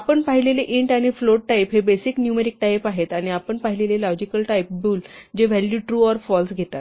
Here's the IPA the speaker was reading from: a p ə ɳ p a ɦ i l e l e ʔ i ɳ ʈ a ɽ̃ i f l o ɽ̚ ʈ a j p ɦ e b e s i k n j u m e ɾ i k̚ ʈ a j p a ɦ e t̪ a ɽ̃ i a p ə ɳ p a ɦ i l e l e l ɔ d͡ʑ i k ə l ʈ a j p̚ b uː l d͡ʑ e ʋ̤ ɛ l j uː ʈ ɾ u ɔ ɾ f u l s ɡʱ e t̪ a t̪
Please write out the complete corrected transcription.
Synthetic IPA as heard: a p ə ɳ p a ɦ i l e l e ʔ i ɳ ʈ a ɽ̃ i f l o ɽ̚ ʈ a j p ɦ e b e s i k n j u m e ɾ i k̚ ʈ a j p a ɦ e t̪ a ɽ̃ i a p ə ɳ p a ɦ i l e l e l ɔ d͡ʑ i k ə l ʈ a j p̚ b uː l d͡ʑ e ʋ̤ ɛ l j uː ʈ ɾ u ɔ ɾ f ɔ l s ɡʱ e t̪ a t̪